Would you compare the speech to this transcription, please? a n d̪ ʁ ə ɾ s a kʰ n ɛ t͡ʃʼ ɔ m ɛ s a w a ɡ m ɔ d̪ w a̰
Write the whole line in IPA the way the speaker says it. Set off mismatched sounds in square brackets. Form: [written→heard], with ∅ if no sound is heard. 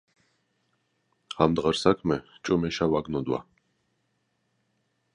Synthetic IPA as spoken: a [n→m] d̪ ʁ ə ɾ s a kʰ [n→m] ɛ t͡ʃʼ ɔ m ɛ [s→ʃ] a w a ɡ [m→n] ɔ d̪ w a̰